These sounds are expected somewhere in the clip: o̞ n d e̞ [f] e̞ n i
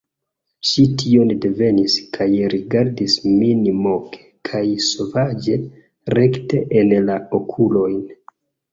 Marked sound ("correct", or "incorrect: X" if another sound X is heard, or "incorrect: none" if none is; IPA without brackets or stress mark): incorrect: v